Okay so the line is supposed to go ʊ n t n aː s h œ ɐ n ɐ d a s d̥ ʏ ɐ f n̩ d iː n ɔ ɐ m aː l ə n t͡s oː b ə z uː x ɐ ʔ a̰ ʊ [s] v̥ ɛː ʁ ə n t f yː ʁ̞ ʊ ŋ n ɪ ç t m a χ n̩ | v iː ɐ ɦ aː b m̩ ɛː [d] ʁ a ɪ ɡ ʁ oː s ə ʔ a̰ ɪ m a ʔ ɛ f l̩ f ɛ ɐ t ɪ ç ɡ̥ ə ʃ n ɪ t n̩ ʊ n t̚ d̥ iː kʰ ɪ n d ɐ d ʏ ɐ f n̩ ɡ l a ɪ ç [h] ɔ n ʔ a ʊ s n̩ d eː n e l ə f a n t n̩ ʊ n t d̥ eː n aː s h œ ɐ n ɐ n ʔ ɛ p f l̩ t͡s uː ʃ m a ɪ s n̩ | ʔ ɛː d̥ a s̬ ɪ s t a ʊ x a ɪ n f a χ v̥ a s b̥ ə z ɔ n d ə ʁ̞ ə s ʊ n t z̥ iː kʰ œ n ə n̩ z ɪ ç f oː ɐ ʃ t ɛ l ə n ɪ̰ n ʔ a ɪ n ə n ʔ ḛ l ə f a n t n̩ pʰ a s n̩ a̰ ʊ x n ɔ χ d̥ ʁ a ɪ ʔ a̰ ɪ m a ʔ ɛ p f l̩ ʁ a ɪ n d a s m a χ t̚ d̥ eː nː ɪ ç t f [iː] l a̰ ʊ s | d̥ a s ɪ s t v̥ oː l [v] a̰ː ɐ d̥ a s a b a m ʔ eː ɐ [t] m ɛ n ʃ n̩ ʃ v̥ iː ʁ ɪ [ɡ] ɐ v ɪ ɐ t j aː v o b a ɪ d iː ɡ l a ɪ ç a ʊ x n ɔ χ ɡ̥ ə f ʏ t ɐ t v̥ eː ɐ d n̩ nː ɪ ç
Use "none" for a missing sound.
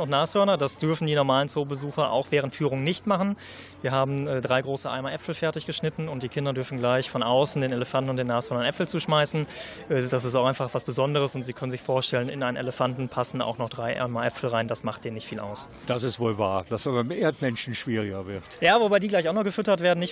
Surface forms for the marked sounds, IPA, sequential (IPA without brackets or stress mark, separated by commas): x, d, f, iː, v, t, ɡ